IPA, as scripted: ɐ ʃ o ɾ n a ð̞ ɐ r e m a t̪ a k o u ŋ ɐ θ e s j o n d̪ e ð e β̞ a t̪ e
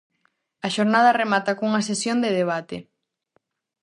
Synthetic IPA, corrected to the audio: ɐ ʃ o ɾ n a ð̞ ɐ r e m a t̪ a k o u ŋ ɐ s e s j o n d̪ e ð e β̞ a t̪ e